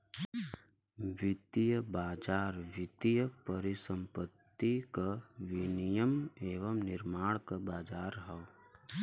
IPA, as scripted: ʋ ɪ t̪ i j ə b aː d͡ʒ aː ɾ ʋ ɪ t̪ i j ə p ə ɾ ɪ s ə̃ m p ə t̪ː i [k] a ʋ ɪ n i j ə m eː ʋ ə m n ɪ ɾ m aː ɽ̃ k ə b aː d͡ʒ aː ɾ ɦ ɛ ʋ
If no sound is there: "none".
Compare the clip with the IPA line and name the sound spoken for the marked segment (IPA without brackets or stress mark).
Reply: k